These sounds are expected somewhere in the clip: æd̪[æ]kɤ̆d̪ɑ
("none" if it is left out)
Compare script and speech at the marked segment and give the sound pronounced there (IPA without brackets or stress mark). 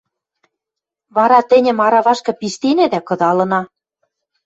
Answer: æ